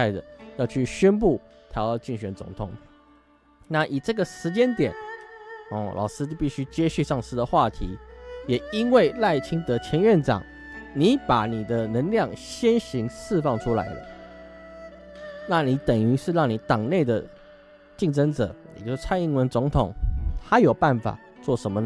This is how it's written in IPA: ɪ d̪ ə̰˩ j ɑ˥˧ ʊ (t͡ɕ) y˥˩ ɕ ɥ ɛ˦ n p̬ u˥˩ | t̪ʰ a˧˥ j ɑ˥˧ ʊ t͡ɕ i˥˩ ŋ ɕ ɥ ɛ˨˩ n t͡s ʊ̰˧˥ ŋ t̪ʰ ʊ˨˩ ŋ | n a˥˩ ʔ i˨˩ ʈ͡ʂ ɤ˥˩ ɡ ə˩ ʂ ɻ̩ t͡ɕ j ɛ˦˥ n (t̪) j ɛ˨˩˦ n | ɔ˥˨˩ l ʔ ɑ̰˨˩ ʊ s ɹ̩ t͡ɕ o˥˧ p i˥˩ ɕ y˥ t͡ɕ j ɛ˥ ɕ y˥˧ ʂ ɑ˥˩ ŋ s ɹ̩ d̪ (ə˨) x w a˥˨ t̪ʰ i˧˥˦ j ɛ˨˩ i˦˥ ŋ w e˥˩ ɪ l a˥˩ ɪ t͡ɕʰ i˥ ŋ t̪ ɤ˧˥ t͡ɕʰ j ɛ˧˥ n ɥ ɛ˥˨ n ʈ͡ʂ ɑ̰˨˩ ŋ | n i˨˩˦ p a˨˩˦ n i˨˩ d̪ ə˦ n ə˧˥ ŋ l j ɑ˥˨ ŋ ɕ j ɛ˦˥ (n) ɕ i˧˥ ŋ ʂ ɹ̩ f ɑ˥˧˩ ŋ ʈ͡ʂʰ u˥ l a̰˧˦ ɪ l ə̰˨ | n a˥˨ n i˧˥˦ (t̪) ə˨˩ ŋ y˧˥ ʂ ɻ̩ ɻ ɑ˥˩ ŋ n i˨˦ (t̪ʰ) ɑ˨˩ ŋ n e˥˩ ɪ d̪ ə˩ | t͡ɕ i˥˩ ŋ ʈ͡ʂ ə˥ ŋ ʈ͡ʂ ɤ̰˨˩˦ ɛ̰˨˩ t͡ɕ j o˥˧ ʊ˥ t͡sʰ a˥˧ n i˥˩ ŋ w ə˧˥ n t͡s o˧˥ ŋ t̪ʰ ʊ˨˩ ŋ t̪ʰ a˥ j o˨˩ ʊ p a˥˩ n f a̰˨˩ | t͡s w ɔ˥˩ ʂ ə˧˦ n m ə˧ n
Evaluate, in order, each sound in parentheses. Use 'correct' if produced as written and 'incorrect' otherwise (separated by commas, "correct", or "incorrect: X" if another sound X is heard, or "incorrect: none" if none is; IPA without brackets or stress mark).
incorrect: t͡ɕʰ, correct, correct, correct, correct, incorrect: t̪